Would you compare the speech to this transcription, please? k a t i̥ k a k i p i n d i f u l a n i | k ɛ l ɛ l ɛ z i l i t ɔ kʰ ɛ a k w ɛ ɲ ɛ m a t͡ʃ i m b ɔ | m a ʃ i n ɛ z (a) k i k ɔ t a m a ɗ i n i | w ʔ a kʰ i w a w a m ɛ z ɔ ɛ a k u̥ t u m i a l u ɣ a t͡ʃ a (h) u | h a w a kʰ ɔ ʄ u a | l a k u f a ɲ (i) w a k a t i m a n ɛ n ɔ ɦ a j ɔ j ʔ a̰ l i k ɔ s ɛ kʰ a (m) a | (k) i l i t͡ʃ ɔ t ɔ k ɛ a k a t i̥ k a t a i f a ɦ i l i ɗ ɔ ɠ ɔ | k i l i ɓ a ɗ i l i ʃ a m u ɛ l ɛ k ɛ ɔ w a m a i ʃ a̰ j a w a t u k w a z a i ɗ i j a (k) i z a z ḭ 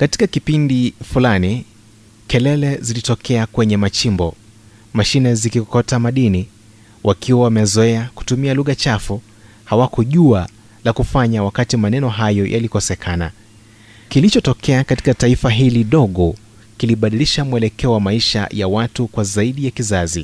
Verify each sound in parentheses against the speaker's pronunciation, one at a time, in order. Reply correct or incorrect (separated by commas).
incorrect, incorrect, incorrect, incorrect, correct, correct